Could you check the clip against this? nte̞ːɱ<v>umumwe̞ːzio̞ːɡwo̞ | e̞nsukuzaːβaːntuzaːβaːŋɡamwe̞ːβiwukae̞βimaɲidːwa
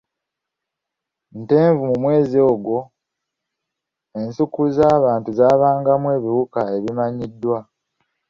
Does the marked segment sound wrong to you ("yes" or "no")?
no